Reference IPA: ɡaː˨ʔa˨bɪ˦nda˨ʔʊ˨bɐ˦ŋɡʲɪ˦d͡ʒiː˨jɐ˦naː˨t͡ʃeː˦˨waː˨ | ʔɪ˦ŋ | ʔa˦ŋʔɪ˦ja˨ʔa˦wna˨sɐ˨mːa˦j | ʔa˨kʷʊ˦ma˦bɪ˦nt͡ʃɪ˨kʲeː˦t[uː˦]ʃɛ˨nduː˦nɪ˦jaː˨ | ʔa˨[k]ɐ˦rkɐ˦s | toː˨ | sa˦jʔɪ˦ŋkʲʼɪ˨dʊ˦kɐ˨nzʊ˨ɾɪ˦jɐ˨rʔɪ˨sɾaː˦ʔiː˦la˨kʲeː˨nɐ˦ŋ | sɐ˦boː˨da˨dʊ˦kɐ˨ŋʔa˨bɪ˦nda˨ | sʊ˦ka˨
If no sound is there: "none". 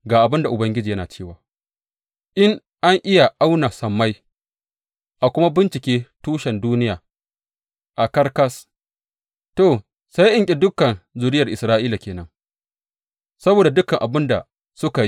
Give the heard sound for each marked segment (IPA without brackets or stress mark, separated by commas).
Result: uː˦, k